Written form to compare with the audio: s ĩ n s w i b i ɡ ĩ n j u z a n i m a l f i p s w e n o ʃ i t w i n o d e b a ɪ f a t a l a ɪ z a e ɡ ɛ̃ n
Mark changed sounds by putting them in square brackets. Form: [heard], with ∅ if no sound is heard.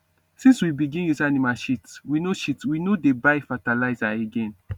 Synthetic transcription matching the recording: s ĩ n s w i b i ɡ ĩ n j u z a n i m a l [ʃ] i [t] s w [i] n o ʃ i t w i n o d e b a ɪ f a t a l a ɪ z a e ɡ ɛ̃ n